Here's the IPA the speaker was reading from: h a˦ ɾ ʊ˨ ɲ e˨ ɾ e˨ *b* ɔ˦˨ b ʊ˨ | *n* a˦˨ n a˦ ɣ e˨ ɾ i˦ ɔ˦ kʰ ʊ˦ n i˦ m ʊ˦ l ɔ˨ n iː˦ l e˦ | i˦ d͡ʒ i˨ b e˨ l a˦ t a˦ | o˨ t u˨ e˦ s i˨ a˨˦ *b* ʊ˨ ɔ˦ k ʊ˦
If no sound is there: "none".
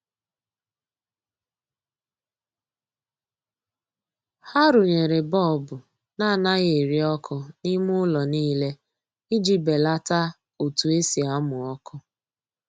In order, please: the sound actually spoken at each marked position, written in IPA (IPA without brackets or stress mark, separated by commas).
b, n, m